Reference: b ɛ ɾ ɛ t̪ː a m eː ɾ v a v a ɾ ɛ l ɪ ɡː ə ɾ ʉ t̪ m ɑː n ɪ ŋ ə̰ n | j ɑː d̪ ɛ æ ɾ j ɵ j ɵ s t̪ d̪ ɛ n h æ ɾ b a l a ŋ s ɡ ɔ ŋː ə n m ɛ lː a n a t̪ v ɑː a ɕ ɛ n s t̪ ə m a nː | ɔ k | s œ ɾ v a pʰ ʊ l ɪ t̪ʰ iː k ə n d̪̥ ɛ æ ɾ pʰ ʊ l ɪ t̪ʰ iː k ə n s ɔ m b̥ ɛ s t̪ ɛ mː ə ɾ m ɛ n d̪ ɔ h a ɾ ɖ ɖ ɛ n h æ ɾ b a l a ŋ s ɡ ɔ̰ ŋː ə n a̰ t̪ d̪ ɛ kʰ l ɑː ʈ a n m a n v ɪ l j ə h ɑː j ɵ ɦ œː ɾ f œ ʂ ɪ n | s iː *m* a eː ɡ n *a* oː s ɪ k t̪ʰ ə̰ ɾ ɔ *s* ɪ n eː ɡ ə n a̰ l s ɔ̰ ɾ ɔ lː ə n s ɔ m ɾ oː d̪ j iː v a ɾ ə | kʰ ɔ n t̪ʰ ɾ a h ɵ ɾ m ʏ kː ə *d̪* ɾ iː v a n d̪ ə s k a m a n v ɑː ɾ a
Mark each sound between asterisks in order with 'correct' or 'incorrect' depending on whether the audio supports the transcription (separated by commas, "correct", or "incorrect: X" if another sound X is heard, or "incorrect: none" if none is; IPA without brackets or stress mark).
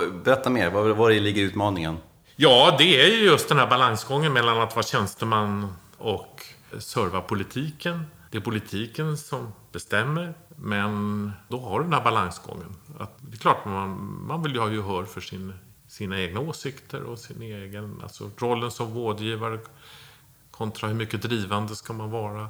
incorrect: n, correct, correct, correct